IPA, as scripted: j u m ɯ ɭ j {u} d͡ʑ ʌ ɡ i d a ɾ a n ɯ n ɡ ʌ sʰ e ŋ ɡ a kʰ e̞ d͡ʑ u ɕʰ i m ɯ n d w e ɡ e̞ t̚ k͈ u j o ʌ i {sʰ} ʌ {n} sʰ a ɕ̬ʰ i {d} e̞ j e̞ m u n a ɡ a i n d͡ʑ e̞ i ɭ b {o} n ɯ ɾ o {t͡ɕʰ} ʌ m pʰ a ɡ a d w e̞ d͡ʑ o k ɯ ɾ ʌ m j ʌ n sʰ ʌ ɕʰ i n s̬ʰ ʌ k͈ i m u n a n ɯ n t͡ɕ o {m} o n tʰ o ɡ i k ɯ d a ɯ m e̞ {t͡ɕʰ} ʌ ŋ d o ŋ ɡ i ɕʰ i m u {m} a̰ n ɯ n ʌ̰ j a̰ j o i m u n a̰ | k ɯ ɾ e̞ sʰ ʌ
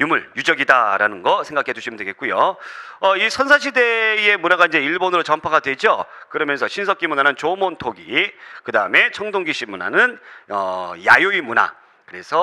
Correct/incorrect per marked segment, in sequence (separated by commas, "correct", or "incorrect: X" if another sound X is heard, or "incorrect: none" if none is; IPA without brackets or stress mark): correct, correct, correct, correct, correct, incorrect: t͡ɕ, correct, correct, incorrect: n